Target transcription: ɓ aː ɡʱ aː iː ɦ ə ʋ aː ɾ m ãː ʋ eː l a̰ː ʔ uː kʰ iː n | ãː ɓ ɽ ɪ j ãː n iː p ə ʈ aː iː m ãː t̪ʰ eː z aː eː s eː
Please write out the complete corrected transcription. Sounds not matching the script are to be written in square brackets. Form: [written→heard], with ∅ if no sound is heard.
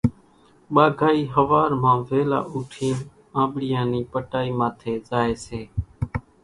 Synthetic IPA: ɓ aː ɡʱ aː iː ɦ ə ʋ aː ɾ m ãː ʋ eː l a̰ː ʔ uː [kʰ→ʈʰ] iː n | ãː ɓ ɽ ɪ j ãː n iː p ə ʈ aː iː m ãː t̪ʰ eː z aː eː s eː